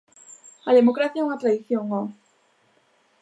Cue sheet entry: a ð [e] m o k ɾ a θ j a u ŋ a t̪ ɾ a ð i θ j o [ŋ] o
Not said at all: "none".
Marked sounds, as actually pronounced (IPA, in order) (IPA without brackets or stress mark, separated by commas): e, ŋ